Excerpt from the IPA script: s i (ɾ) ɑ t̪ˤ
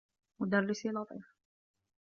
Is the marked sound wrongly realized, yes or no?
yes